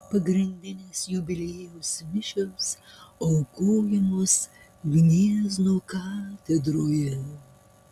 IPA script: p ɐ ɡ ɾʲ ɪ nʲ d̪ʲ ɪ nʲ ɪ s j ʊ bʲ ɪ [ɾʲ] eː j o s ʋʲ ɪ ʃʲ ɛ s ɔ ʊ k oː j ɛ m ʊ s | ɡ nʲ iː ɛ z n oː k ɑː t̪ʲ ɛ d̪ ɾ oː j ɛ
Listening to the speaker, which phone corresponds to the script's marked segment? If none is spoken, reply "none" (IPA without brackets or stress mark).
lʲ